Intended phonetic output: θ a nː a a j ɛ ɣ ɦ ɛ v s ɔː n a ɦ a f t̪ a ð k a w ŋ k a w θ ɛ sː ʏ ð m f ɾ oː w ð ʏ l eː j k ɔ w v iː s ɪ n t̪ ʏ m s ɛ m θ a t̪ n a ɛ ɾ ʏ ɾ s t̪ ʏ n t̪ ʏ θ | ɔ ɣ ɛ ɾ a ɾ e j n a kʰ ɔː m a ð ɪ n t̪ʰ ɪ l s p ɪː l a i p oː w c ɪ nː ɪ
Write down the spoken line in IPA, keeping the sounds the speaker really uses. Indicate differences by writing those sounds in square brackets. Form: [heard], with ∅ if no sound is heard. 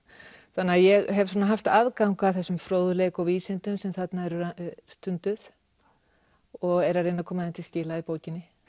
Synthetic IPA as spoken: θ a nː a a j ɛ ɣ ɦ ɛ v s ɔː n a ɦ a f t̪ a ð k a w ŋ k a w θ ɛ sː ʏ [∅] m f ɾ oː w ð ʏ l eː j k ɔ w v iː s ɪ n t̪ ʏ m s ɛ m θ a t̪ n a ɛ ɾ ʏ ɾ s t̪ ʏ n t̪ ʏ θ | ɔ ɣ ɛ ɾ a ɾ e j n a kʰ ɔː m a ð ɪ n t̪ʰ ɪ l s [c] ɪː l a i p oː w c ɪ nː ɪ